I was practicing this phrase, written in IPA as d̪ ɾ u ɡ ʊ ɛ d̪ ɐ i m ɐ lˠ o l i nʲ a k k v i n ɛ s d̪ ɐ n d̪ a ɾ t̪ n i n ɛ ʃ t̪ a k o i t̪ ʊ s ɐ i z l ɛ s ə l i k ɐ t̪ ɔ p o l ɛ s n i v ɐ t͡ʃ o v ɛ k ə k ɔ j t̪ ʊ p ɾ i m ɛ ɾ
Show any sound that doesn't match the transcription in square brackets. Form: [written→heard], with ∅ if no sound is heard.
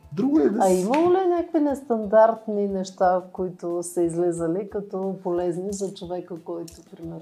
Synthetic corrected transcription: d̪ ɾ u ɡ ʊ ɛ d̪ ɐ i m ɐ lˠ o l i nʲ a k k v i n ɛ s [d̪→t̪] ɐ n d̪ a ɾ t̪ n i n ɛ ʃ t̪ a k o i t̪ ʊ s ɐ i z l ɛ [s→z] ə l i k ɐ t̪ ɔ p o l ɛ [s→z] n i [v→z] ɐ t͡ʃ o v ɛ k ə k ɔ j t̪ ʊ p ɾ i m ɛ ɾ